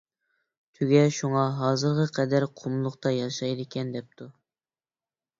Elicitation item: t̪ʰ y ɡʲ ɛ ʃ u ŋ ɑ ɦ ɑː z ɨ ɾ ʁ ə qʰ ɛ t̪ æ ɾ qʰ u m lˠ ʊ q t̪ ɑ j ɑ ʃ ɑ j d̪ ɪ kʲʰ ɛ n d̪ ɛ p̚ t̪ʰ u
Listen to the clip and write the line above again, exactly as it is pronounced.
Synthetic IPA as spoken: t̪ʰ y ɡʲ ɛ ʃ u ŋ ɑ ɦ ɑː z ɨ ɾ ʁ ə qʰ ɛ d̪ æ ɾ qʰ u m lˠ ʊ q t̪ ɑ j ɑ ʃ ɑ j d̪ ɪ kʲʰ ɛ n d̪ ɛ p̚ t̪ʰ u